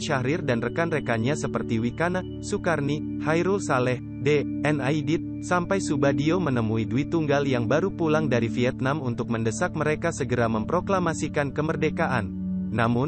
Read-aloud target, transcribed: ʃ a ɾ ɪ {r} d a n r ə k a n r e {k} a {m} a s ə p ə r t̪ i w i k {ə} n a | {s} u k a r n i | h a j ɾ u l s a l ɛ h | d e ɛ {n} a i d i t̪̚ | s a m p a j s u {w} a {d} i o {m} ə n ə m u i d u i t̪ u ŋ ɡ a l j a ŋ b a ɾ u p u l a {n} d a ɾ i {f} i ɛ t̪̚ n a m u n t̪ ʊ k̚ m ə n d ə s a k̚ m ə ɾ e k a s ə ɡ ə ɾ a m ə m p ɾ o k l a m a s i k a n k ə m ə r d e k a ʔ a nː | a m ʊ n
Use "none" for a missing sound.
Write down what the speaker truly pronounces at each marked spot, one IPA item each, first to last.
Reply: r, k, ɲ, a, s, n, b, d, m, ŋ, f

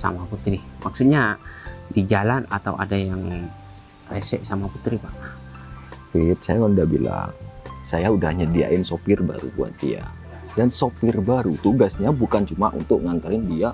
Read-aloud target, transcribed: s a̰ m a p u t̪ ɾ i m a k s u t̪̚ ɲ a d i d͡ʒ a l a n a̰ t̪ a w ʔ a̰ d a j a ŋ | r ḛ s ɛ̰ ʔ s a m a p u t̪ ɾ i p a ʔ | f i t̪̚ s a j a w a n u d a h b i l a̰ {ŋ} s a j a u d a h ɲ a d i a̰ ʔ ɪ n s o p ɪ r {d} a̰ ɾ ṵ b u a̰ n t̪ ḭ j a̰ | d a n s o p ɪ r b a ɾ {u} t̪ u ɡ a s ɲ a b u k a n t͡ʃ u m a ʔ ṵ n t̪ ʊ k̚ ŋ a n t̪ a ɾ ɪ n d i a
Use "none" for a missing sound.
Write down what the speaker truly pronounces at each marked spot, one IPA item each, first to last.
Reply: ŋ, b, u

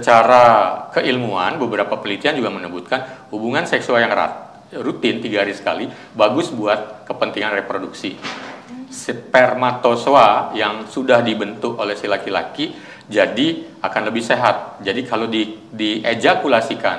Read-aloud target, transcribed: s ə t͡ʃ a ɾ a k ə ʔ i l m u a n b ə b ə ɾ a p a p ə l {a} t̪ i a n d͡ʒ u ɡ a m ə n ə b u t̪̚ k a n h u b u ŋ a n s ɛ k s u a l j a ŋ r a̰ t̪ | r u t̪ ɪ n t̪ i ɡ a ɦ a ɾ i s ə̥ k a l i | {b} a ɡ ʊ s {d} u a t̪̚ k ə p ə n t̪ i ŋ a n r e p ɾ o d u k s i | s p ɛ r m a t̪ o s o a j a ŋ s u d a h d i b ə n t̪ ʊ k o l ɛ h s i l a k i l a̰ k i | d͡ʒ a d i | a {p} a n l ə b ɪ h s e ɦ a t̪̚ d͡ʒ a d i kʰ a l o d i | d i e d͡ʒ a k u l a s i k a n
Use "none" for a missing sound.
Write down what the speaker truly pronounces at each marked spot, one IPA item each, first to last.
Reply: i, b, b, k

